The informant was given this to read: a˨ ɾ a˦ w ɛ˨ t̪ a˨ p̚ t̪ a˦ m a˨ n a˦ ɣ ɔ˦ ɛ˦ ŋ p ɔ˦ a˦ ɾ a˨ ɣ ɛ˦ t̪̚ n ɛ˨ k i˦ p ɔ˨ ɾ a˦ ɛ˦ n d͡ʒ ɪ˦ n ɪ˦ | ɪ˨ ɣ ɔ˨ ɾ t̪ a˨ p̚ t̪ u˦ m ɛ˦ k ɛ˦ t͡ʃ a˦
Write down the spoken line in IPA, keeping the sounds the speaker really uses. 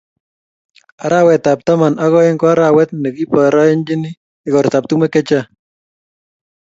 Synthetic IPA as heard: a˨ ɾ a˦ w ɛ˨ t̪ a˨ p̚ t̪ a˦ m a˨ n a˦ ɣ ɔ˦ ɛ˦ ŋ k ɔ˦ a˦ ɾ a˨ w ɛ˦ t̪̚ n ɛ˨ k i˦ p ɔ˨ ɾ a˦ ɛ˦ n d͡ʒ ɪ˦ n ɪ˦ | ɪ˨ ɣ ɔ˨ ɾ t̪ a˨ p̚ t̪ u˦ m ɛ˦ k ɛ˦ t͡ʃ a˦